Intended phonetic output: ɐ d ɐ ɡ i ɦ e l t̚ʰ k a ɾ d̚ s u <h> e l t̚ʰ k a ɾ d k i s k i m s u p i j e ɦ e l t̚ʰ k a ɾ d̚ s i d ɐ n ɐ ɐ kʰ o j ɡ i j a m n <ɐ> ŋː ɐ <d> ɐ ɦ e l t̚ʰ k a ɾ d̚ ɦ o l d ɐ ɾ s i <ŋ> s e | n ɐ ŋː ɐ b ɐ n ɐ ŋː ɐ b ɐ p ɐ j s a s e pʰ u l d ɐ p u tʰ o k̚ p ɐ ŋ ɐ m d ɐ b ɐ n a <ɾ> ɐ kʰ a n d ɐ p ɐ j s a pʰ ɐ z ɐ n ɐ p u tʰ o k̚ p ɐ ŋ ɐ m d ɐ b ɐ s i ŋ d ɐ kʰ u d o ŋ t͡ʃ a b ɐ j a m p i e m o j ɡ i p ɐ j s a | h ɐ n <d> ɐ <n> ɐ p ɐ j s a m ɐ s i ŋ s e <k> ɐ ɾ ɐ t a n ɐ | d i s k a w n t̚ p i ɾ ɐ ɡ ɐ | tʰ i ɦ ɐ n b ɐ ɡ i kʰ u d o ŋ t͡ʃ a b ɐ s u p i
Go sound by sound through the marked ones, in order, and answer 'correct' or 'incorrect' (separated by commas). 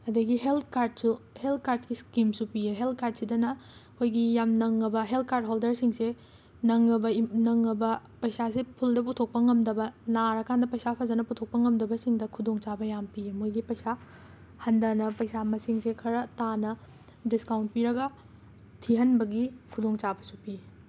correct, correct, incorrect, correct, correct, correct, correct, incorrect